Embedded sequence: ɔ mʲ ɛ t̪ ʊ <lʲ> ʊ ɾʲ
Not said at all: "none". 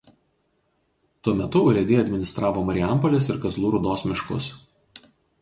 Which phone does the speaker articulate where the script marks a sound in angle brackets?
none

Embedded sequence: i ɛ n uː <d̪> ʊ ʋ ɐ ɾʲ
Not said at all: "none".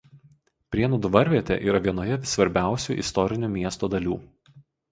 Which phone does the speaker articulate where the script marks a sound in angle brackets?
d̪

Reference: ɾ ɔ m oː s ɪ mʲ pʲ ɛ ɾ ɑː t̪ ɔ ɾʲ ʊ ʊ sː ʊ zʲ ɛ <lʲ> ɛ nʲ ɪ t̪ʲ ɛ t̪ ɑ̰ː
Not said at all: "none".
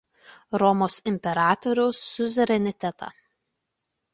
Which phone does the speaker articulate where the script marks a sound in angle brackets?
ɾʲ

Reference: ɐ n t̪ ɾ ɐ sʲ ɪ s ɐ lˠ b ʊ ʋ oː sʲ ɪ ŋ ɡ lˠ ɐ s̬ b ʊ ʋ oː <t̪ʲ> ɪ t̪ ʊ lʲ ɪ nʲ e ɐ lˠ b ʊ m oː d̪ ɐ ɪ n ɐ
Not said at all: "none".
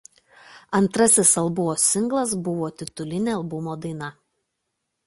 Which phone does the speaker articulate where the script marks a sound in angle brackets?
t̪ʲ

